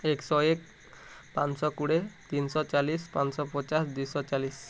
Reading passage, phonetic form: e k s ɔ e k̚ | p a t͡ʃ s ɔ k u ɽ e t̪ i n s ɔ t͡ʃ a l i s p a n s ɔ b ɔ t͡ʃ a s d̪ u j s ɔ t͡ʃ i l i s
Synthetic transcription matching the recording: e k s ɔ e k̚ | p a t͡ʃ s ɔ k u ɽ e t̪ i n s ɔ t͡ʃ a l i s p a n s ɔ p ɔ t͡ʃ a s d̪ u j s ɔ t͡ʃ a l i s